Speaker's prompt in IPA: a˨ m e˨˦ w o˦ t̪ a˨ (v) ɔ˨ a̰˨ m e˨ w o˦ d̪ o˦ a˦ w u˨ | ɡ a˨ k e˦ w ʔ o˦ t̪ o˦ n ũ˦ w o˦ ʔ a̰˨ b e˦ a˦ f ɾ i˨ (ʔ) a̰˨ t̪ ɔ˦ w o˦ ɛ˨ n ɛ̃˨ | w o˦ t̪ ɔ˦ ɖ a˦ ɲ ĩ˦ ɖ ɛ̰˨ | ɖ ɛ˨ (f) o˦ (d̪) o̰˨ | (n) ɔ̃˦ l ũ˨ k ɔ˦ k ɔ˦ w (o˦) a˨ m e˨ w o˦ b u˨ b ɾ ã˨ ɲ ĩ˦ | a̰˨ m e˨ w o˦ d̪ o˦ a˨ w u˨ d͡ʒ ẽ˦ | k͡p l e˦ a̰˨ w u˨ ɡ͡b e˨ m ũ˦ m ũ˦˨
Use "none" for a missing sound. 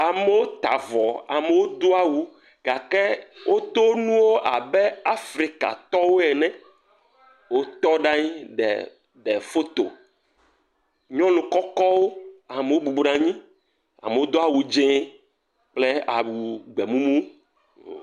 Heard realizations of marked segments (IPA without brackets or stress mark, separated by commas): v, k, f, t̪, ɲ, o˦